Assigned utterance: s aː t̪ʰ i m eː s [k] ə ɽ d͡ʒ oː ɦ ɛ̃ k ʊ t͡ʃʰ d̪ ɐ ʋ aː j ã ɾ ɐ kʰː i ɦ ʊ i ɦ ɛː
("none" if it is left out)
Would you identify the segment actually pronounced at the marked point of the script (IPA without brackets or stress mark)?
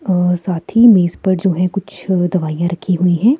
p